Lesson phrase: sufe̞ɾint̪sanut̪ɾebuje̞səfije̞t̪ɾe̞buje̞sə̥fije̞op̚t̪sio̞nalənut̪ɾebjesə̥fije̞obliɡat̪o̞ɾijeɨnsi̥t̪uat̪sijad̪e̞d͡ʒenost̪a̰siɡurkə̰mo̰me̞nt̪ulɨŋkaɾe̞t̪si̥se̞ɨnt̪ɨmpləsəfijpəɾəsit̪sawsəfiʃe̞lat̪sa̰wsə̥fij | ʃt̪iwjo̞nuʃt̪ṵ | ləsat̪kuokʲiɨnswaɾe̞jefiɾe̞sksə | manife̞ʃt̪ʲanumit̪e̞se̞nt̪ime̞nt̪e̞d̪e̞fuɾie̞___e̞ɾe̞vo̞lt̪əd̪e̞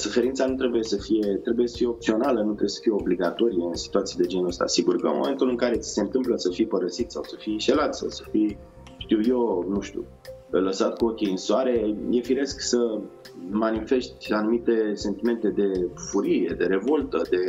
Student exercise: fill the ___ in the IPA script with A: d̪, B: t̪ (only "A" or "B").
A